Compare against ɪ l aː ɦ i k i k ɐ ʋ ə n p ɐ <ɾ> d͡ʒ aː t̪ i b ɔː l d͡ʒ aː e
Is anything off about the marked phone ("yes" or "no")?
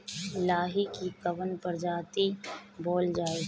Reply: no